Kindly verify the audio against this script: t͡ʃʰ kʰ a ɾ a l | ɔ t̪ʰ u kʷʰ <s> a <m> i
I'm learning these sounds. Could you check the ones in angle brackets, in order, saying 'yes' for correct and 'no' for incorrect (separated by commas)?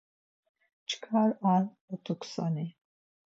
yes, no